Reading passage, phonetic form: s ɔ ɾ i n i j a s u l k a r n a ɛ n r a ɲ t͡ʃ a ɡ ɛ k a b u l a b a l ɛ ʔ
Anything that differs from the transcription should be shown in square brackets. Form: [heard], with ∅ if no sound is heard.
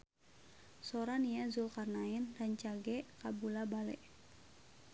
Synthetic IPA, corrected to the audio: s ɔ ɾ [a] n i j a [z] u l k a r n a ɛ n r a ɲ t͡ʃ a ɡ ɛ k a b u l a b a l ɛ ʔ